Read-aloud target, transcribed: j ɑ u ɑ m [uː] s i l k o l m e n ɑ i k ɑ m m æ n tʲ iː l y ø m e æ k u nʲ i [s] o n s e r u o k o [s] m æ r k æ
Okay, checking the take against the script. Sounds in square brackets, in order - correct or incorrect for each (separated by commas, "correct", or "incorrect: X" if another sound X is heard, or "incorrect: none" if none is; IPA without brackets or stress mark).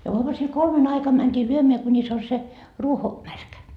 incorrect: u, correct, incorrect: none